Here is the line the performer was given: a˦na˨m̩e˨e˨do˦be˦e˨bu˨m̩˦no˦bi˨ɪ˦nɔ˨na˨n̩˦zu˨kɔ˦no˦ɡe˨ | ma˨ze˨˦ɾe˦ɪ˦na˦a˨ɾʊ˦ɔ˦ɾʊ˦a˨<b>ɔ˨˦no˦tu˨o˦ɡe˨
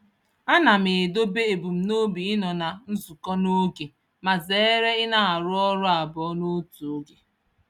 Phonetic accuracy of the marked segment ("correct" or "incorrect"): correct